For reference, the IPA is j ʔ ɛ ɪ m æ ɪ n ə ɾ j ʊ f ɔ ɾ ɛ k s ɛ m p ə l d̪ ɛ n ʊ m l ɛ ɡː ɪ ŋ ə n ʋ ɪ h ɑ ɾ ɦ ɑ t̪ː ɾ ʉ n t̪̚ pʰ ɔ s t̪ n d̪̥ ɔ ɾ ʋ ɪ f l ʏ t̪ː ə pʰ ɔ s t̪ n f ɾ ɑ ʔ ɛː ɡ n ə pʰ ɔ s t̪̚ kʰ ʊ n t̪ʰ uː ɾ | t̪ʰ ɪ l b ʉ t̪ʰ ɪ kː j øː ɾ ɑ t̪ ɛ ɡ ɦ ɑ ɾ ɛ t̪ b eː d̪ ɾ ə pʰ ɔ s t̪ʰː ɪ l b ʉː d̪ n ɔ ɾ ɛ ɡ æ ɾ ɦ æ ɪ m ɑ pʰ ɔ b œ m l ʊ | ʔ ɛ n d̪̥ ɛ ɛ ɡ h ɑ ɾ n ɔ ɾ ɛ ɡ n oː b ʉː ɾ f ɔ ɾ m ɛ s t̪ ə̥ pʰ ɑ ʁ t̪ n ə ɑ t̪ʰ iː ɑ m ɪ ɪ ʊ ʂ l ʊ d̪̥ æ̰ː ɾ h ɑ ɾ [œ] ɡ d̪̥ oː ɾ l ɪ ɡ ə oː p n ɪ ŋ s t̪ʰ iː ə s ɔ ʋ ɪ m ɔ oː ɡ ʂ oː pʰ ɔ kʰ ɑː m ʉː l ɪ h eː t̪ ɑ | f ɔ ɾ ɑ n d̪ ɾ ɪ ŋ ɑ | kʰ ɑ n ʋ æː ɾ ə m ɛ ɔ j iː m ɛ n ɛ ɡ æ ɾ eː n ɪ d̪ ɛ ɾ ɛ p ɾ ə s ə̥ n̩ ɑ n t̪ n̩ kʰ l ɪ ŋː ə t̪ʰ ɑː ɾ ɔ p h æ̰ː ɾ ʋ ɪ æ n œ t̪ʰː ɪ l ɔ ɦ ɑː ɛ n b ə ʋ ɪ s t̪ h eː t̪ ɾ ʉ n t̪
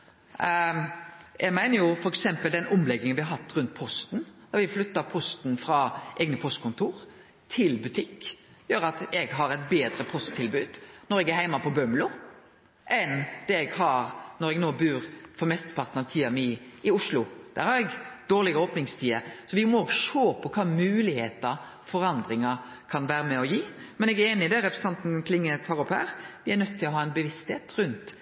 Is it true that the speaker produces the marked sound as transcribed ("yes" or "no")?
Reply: no